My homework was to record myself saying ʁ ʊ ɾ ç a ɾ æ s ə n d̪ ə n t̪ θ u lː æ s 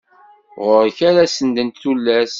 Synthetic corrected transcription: ʁ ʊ ɾ ç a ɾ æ s ə n d̪ ə n t̪ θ u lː æ s